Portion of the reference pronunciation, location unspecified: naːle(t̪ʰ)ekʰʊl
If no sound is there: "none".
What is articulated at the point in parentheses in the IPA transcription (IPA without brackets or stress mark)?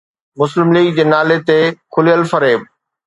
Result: t̪